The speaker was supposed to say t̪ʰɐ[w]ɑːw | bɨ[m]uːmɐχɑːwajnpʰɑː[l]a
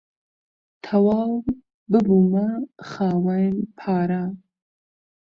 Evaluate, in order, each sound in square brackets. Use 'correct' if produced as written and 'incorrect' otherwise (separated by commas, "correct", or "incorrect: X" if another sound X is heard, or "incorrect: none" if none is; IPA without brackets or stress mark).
correct, incorrect: b, incorrect: ɾ